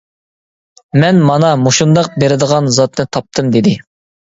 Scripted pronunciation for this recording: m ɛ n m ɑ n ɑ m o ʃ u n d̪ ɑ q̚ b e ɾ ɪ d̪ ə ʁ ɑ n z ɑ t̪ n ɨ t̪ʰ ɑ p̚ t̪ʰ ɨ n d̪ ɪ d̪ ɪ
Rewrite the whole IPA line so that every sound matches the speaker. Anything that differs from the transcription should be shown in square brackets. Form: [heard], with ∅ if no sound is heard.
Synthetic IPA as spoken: m ɛ n m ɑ n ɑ m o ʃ u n d̪ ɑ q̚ b e ɾ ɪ d̪ ə ʁ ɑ n z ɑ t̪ n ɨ t̪ʰ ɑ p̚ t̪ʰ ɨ [m] d̪ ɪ d̪ ɪ

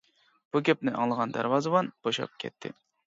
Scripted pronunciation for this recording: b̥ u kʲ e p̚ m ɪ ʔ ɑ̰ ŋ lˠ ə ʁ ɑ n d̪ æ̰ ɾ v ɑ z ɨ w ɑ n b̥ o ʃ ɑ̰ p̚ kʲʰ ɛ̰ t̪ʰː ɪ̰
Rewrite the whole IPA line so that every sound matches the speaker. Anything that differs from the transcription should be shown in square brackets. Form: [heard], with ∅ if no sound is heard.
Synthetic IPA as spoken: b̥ u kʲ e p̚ [n] ɪ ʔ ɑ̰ ŋ lˠ ə ʁ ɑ n d̪ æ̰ ɾ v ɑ z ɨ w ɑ n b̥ o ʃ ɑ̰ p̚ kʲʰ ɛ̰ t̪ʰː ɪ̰

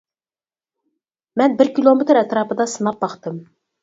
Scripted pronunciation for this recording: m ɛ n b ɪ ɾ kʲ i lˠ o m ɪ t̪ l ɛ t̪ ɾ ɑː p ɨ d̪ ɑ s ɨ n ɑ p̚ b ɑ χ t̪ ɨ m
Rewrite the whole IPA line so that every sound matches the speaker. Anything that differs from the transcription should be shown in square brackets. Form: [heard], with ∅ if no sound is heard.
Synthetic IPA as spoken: m ɛ n b ɪ ɾ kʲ i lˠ o m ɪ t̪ [ɾ] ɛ t̪ ɾ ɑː p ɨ d̪ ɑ s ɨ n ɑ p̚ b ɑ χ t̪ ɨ m

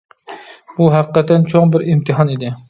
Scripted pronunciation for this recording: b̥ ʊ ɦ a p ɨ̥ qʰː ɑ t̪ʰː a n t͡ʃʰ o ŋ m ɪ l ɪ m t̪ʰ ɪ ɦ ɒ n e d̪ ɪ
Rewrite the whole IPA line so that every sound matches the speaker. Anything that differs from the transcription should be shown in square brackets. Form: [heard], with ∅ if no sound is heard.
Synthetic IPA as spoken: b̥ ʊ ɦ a [q] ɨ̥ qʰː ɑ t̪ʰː a n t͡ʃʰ o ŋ [b] ɪ [ɾ] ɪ m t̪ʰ ɪ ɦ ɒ n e d̪ ɪ

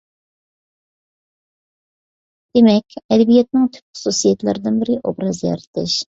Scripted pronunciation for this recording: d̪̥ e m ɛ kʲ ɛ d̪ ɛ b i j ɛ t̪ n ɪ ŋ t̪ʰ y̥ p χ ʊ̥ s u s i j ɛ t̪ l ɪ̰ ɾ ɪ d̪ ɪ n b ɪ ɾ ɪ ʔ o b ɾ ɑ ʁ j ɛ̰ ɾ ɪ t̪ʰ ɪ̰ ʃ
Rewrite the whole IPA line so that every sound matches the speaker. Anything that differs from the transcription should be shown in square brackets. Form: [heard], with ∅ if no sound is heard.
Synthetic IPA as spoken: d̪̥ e m ɛ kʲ ɛ d̪ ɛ b i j ɛ t̪ n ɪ ŋ t̪ʰ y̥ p χ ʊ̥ s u s i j ɛ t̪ l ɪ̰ ɾ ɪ d̪ ɪ n b ɪ ɾ ɪ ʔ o b ɾ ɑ [z] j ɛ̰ ɾ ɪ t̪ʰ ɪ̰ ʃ

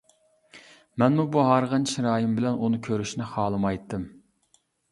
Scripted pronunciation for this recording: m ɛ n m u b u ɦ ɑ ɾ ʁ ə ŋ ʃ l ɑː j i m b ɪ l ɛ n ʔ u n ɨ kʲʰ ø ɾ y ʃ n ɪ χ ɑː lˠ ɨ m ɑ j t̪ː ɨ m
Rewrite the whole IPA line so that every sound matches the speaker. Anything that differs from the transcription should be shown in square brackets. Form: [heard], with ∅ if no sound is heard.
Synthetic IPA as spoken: m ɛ n m u b u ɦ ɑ ɾ ʁ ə [n] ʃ [ɾ] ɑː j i m b ɪ l ɛ n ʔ u n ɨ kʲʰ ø ɾ y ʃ n ɪ χ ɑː lˠ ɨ m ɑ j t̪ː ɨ m

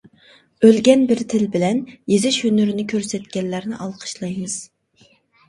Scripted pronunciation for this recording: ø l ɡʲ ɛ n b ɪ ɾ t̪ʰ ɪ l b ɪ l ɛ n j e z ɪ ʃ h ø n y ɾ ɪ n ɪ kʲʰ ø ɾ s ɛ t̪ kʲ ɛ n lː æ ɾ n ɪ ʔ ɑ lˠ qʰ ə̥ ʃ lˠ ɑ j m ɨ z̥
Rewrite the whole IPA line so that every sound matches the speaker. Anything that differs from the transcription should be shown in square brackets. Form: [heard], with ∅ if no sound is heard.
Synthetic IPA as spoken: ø l ɡʲ ɛ n b ɪ ɾ t̪ʰ ɪ l b ɪ l ɛ n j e z ɪ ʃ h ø n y ɾ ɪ n ɪ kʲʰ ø ɾ s ɛ t̪ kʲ ɛ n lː æ ɾ n ɪ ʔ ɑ lˠ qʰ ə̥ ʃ lˠ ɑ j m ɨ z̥

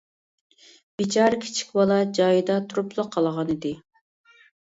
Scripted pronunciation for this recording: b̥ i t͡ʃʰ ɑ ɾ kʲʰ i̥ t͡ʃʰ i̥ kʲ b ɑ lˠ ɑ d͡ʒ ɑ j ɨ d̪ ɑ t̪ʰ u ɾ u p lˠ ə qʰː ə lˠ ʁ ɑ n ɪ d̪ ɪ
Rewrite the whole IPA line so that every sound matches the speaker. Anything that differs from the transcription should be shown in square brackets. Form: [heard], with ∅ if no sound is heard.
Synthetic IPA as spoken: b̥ i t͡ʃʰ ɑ ɾ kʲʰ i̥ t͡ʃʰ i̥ kʲ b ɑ lˠ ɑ d͡ʒ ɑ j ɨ d̪ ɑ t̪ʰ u ɾ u p lˠ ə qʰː [ɑ] lˠ ʁ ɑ n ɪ d̪ ɪ

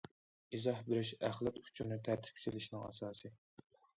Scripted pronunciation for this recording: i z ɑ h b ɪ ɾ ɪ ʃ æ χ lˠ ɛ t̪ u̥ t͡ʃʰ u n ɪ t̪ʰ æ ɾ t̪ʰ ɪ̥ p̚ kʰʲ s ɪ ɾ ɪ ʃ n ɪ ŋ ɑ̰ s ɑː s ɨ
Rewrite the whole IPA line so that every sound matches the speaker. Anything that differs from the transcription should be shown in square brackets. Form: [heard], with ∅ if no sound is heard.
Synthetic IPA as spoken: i z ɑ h b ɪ ɾ ɪ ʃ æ χ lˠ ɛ t̪ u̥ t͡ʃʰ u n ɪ t̪ʰ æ ɾ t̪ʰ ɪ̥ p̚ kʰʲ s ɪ [l] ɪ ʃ n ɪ ŋ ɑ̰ s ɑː s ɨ

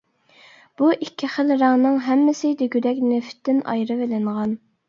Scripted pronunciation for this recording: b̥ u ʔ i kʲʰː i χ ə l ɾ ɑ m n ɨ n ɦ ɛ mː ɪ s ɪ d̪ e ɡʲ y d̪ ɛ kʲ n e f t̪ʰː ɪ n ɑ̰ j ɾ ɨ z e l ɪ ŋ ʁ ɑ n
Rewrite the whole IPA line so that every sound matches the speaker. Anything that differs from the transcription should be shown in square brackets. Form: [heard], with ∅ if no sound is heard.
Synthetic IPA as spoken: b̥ u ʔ i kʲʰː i χ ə l ɾ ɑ [ŋ] n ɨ [ŋ] ɦ ɛ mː ɪ s ɪ d̪ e ɡʲ y d̪ ɛ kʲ n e f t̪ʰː ɪ n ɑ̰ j ɾ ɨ [v] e l ɪ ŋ ʁ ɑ n

